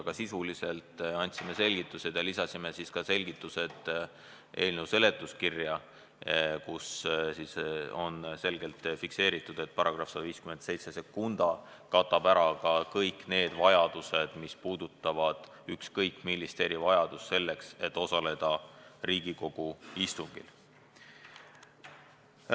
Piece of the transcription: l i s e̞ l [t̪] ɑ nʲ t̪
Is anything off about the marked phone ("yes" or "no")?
no